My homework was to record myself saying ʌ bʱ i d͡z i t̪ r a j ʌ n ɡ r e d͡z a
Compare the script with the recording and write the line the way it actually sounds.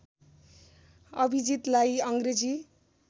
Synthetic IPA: ʌ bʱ i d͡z i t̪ l a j ʌ ŋ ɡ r e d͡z i